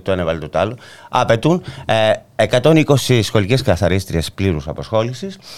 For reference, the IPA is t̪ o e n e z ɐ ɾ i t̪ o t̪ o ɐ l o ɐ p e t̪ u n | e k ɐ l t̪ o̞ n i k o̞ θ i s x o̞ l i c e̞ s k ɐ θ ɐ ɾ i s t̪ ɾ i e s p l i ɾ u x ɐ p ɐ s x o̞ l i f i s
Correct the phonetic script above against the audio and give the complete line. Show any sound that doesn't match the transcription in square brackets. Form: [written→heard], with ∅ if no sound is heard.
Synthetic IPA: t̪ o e n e [z→v] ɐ [ɾ→l] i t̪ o t̪ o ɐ l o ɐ p e t̪ u n | e k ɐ [l→∅] t̪ o̞ n i k o̞ [θ→s] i s x o̞ l i c e̞ s k ɐ θ ɐ ɾ i s t̪ ɾ i e s p l i ɾ u [x→s] ɐ p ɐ s x o̞ l i [f→s] i s